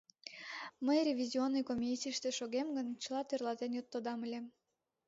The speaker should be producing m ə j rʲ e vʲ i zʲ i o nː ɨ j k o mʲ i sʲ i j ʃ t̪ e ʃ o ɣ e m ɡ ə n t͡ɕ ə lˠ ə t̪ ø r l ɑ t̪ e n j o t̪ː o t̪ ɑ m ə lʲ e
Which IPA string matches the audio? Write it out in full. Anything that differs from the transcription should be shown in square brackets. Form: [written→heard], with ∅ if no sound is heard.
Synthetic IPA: m ə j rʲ e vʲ i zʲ i o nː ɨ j k o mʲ i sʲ i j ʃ t̪ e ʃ o ɣ e m ɡ ə n t͡ɕ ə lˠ [ə→ɑ] t̪ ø r l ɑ t̪ e n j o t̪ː o [t̪→d̪] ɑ m ə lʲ e